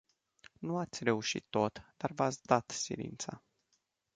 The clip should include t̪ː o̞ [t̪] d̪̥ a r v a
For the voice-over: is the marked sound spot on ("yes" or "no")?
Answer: yes